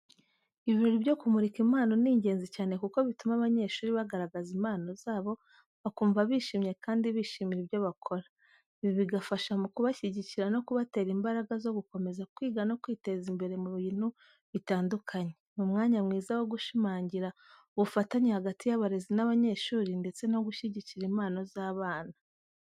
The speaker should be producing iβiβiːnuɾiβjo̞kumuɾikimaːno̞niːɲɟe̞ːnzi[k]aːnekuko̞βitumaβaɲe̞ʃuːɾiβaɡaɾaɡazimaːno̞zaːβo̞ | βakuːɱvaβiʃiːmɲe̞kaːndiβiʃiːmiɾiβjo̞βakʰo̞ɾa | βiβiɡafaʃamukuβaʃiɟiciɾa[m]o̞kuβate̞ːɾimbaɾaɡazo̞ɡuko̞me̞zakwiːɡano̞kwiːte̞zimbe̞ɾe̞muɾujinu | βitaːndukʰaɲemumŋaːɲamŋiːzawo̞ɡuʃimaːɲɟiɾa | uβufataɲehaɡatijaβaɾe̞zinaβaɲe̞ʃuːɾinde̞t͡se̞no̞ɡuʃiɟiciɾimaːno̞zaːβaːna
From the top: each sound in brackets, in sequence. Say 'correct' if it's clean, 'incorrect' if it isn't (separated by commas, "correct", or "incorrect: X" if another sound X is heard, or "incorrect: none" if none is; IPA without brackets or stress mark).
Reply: incorrect: c, incorrect: n